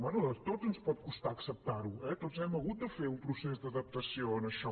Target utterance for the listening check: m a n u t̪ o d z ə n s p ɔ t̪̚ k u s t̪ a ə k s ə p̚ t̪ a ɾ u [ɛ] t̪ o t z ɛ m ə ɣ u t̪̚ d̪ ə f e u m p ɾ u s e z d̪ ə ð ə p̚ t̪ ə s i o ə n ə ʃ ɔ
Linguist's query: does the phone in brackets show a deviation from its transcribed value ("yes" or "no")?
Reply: no